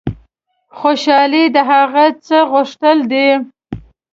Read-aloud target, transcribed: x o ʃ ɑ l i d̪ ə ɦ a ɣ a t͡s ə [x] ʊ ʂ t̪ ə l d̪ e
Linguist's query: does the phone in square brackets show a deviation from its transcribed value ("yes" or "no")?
yes